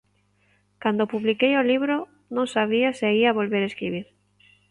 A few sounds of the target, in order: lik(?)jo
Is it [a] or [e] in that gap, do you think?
e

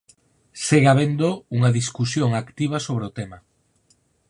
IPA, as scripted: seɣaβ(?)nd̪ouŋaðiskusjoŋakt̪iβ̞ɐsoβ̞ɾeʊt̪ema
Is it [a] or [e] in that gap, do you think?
e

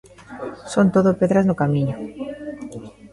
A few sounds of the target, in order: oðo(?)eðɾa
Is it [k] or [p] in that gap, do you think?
p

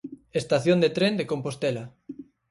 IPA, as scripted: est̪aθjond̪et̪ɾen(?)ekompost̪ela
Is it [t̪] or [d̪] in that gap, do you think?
d̪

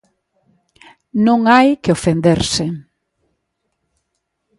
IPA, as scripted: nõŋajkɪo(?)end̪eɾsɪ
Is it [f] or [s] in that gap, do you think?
f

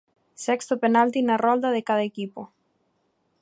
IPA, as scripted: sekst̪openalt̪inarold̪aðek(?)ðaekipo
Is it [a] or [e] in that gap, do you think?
a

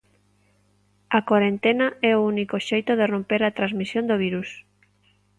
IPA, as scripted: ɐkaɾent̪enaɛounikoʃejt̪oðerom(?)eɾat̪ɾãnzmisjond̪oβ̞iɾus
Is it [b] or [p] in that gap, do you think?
p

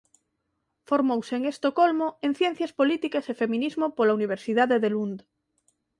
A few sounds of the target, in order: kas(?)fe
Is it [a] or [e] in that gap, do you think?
e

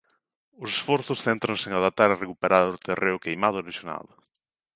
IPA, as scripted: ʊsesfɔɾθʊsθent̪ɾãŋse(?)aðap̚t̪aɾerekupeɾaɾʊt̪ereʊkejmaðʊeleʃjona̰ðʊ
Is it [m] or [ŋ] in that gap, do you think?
ŋ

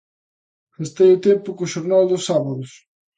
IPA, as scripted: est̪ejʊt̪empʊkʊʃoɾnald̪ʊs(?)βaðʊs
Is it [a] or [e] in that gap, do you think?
a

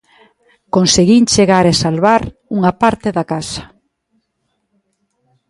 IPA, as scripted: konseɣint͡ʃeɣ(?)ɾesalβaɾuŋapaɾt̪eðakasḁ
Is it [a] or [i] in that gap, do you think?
a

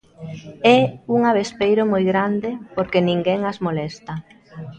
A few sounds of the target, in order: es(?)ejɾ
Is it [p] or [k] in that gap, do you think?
p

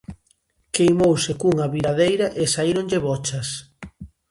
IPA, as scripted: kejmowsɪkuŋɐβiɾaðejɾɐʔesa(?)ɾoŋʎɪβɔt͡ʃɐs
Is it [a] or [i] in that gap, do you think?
i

